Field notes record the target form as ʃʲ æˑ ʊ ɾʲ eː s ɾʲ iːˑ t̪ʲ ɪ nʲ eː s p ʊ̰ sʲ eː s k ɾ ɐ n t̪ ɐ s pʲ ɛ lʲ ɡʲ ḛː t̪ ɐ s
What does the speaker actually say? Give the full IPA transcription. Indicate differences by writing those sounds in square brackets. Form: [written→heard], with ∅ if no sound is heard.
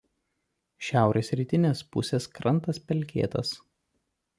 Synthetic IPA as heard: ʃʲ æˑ ʊ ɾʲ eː s ɾʲ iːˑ t̪ʲ ɪ nʲ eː s p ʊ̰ sʲ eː s k ɾ ɐ n t̪ ɐ s pʲ ɛ lʲ [ɡʲ→kʲ] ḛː t̪ ɐ s